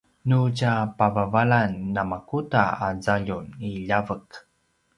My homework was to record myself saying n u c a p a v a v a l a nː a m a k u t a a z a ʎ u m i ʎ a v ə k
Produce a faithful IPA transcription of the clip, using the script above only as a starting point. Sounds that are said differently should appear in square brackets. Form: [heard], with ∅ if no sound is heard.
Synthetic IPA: n u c a p a v a v a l a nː a m a k u t a a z a ʎ u [n] i ʎ a v ə k

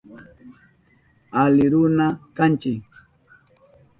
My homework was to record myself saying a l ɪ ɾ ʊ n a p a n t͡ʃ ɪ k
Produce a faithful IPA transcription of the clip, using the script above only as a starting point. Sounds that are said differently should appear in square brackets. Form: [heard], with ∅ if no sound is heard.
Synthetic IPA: a l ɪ ɾ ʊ n a [k] a n t͡ʃ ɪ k

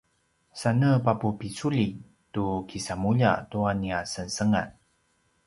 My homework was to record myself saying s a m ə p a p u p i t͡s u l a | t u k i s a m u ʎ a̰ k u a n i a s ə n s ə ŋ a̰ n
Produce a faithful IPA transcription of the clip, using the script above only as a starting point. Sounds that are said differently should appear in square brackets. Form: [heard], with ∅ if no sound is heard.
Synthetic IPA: s a [n] ə p a p u p i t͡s u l [i] | t u k i s a m u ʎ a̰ [t] u a n i a s ə n s ə ŋ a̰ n

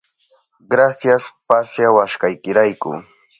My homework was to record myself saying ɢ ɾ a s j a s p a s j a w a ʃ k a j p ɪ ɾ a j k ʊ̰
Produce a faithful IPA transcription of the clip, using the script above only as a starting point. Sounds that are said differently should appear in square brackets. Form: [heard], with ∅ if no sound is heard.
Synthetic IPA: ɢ ɾ a s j a s p a s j a w a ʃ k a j [k] ɪ ɾ a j k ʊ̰

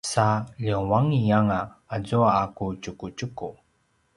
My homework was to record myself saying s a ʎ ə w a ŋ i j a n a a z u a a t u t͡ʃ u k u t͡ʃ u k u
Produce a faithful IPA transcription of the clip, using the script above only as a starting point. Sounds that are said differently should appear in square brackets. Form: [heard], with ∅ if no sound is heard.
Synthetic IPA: s a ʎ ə w a ŋ i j a [ŋ] a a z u a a [k] u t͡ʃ u k u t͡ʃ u k u

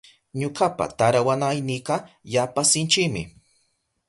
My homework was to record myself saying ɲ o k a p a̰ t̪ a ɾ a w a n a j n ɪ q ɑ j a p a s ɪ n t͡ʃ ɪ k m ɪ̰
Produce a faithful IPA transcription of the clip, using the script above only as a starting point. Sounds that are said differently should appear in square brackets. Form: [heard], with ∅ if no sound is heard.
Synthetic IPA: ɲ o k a p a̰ t̪ a ɾ a w a n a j n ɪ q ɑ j a p a s ɪ n t͡ʃ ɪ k m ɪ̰

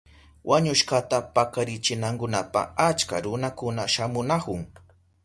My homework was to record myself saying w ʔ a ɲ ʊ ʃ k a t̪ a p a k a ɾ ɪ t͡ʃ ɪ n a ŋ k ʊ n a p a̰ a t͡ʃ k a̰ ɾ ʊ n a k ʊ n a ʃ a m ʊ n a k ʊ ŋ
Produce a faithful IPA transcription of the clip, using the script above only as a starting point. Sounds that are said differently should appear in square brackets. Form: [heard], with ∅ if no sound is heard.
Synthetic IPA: w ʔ a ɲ ʊ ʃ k a t̪ a p a k a ɾ ɪ t͡ʃ ɪ n a ŋ k ʊ n a p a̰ a t͡ʃ k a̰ ɾ ʊ n a k ʊ n a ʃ a m ʊ n a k ʊ ŋ

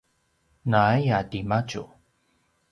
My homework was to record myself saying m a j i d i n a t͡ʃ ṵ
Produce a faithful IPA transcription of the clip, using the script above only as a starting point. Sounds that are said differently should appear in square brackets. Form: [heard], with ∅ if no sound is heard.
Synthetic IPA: [n] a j [a] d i [m] a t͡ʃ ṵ

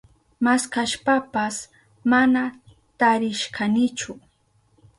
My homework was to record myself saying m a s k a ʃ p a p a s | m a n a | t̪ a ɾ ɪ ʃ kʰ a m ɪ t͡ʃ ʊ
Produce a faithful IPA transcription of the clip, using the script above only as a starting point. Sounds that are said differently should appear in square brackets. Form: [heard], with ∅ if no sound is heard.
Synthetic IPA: m a s k a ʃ p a p a s | m a n a | t̪ a ɾ ɪ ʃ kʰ a [n] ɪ t͡ʃ ʊ

